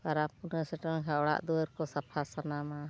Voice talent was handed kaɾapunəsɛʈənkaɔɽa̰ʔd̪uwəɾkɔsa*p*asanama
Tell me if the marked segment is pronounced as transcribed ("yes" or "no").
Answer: no